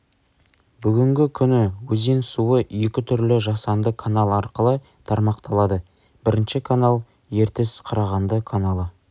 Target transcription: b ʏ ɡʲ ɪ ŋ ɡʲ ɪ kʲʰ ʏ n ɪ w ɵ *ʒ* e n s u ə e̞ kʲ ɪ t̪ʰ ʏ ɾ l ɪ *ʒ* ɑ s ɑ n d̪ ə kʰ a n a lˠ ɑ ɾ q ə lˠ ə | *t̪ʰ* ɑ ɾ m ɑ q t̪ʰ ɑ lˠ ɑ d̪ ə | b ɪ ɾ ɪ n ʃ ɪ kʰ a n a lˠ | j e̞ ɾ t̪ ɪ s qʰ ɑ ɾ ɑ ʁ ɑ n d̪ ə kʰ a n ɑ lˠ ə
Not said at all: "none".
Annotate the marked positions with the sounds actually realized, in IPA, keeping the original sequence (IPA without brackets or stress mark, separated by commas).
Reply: z, ʒ, t̪ʰ